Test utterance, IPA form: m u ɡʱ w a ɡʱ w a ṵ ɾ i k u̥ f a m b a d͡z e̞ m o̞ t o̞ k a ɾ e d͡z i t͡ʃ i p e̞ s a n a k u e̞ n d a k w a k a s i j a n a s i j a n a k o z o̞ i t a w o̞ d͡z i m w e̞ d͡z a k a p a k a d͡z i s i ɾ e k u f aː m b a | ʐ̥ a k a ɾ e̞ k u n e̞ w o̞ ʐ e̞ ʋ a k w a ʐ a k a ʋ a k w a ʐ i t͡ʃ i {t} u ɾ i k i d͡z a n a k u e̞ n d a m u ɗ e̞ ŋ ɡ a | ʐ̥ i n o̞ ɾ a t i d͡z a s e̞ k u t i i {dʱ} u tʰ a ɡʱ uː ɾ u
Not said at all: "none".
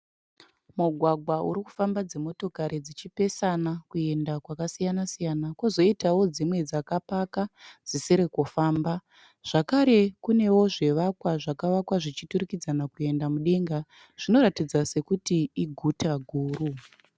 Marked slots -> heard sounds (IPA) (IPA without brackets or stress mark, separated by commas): t, ɡʱ